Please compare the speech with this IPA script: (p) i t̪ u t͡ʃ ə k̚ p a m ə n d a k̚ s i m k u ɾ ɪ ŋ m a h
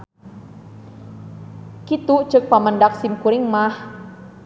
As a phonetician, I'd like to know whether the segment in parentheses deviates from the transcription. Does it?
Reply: yes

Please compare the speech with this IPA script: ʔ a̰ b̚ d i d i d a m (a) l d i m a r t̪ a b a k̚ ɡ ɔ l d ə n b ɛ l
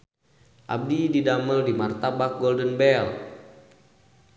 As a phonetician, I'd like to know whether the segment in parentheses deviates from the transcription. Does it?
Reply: yes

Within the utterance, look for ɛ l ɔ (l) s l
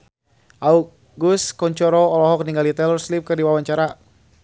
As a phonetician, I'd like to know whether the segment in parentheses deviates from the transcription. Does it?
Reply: yes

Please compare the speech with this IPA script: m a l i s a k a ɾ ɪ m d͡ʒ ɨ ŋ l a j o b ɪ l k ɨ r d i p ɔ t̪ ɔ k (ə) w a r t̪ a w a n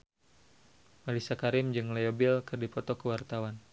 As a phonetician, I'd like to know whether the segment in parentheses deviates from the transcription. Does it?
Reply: no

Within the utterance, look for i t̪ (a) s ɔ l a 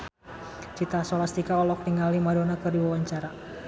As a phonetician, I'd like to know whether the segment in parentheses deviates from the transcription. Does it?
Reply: no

